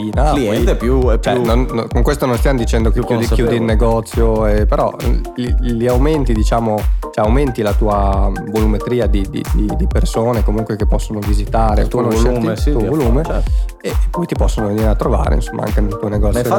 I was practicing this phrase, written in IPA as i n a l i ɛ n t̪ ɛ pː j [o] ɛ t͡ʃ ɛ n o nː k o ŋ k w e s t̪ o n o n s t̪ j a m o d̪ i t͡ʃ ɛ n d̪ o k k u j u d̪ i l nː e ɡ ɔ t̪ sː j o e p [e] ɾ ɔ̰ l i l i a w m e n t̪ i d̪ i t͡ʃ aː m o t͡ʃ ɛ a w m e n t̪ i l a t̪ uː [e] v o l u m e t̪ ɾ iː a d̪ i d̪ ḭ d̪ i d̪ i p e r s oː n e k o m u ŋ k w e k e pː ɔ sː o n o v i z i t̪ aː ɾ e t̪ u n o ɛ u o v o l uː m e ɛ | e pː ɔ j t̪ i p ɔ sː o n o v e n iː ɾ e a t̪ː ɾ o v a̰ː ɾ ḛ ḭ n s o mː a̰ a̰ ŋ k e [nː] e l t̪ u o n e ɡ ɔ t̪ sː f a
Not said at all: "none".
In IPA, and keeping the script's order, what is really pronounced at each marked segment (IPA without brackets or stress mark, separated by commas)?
u, e, a, n